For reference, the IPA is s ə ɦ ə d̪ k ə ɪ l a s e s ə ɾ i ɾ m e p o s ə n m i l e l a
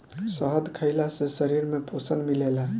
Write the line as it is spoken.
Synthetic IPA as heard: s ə ɦ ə d̪ kʰ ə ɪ l a s e s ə ɾ i ɾ m e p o s ə n m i l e l a

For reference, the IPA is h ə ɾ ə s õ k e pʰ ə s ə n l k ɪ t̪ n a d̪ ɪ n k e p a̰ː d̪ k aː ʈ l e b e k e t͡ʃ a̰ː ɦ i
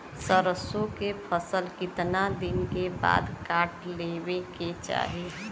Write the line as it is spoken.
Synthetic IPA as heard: s ə ɾ ə s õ k e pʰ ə s ə l k ɪ t̪ n a d̪ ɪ n k e b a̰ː d̪ k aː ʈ l e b e k e t͡ʃ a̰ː ɦ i

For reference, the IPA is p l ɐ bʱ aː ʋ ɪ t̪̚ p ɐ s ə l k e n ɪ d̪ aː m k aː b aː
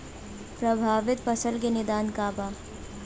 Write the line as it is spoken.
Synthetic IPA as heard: p ɾ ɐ bʱ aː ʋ ɪ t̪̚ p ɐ s ə l k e n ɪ d̪ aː n k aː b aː

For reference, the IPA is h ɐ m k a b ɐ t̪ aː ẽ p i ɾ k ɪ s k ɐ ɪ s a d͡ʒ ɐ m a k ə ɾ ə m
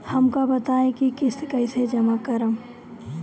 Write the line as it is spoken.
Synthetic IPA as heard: h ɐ m k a b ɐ t̪ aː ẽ k i k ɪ s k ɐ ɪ s e d͡ʒ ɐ m a k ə ɾ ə m

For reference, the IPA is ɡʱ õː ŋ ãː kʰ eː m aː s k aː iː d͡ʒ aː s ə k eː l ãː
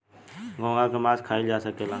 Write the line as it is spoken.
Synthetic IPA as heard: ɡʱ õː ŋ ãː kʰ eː m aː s kʰ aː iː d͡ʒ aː s ə k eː l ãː

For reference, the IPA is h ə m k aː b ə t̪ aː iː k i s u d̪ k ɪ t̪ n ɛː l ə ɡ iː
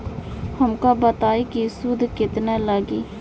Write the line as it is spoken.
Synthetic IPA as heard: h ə m k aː b ə t̪ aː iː k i s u d̪ k ɪ t̪ n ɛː l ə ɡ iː

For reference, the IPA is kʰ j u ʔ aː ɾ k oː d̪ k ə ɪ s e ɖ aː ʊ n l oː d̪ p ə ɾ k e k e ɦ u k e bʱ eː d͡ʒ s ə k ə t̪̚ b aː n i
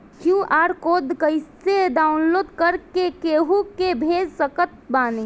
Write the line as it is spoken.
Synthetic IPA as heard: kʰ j u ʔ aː ɾ k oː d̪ k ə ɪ s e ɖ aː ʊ n l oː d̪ k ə ɾ k e k e ɦ u k e bʱ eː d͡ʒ s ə k ə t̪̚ b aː n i

